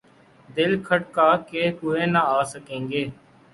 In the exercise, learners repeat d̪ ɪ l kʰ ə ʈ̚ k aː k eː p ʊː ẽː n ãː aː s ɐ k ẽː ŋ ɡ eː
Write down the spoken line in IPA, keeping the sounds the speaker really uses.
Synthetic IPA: d̪ ɪ l kʰ ə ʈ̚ k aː k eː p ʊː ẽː n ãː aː s ə k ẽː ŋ ɡ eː